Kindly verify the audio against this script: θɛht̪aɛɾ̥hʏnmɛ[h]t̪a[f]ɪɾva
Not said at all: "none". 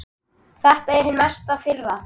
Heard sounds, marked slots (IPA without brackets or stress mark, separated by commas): s, f